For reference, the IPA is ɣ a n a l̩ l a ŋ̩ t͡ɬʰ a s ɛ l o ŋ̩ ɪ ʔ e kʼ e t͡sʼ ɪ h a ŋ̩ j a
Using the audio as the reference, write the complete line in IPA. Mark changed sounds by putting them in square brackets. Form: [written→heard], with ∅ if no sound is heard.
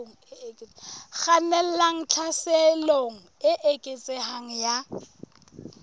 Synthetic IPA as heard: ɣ a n [a→ɛ] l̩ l a ŋ̩ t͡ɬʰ a s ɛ l o ŋ̩ ɪ ʔ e kʼ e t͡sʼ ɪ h a ŋ̩ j a

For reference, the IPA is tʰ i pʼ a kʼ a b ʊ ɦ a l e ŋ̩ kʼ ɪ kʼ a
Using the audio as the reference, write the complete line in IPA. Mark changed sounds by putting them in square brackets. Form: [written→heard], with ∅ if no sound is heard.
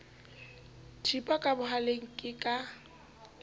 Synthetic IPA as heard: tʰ i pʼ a kʼ a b ʊ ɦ a l e ŋ̩ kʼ ɪ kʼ a

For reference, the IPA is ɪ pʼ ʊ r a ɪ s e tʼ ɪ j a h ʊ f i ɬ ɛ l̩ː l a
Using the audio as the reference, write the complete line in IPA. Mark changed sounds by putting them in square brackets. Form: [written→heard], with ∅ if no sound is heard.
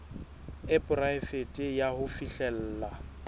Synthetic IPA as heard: ɪ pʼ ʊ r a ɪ [s→f] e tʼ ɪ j a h ʊ f i ɬ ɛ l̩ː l a

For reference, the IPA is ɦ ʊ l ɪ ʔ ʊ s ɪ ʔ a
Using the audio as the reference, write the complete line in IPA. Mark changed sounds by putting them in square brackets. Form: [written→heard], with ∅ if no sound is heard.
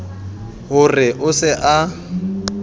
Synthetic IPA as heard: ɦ ʊ [l→r] ɪ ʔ ʊ s ɪ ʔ a

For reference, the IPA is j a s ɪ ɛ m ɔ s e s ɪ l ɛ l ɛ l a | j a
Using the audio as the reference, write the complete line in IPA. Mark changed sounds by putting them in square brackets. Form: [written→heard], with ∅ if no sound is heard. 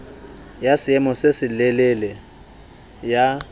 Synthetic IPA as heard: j a s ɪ ɛ m ɔ s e s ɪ l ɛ l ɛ l [a→ɛ] | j a

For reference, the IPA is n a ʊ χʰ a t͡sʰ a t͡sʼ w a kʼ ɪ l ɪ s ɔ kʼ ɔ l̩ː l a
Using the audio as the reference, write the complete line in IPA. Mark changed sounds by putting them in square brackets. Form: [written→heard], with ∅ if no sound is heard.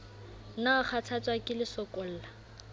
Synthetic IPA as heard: n a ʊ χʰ a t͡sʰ a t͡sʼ w a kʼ ɪ l ɪ s ɔ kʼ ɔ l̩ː l a

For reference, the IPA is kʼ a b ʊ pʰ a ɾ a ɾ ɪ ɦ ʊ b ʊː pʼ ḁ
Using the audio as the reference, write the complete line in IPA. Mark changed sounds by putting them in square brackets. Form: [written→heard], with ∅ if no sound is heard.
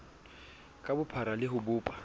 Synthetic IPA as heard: kʼ a b ʊ pʰ a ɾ a [ɾ→l] ɪ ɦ ʊ b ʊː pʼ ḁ

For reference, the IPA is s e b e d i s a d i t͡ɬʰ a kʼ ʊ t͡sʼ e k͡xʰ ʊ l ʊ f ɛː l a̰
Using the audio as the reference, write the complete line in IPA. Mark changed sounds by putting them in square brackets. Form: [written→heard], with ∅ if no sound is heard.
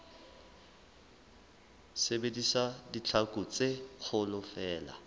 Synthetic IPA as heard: s e b e d i s a d i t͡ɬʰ a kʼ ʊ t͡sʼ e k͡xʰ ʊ l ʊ f ɛː l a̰

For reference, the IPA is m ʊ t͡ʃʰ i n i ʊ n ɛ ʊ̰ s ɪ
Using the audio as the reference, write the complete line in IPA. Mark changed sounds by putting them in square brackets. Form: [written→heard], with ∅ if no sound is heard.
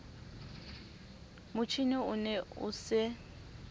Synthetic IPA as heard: m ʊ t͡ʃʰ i n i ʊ n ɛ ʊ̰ s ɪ

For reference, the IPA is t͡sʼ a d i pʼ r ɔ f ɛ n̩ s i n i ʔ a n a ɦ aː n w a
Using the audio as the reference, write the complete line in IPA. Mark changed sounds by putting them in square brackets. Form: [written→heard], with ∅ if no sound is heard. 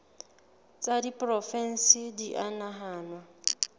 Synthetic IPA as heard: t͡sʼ a d i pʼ r ɔ f ɛ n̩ s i [n→d] i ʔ a n a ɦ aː n w a

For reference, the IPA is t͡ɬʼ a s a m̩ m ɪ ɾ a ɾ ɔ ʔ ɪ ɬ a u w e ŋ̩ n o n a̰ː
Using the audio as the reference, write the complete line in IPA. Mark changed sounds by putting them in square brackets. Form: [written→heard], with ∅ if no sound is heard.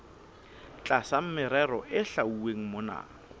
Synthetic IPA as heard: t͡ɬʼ a s a m̩ m ɪ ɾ [a→ɛ] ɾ ɔ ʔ ɪ ɬ a u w e ŋ̩ [n→m] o n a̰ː

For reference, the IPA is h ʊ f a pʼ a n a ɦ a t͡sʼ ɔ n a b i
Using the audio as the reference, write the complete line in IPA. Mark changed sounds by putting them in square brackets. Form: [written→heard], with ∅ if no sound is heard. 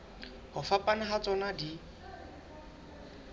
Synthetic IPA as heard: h ʊ f a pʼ a n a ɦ a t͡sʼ ɔ n a [b→d] i

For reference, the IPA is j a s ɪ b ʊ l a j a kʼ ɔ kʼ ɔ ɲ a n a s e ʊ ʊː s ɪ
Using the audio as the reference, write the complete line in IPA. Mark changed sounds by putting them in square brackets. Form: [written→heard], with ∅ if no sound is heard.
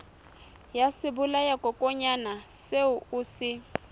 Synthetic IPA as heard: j a s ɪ b ʊ l a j a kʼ ɔ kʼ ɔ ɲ a n a s e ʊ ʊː s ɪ

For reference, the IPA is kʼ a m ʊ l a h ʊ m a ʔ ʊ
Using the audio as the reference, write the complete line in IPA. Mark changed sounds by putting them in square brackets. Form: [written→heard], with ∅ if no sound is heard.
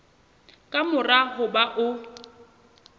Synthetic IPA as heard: kʼ a m ʊ [l→r] a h ʊ [m→b] a ʔ ʊ

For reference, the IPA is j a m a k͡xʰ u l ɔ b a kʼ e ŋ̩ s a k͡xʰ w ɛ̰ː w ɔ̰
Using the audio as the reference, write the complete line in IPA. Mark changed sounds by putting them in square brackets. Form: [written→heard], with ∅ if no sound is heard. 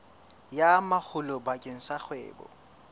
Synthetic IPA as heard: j a m a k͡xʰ [u→ʊ] l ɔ b a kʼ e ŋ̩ s a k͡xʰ w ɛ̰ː [w→b] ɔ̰

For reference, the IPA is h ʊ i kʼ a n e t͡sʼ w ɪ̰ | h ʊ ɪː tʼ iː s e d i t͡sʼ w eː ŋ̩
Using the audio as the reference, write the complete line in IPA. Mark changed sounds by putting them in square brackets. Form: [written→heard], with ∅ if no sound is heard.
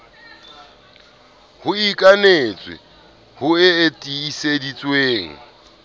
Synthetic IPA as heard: h ʊ i kʼ a n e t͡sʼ w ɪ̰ | h ʊ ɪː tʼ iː s e d i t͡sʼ w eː ŋ̩

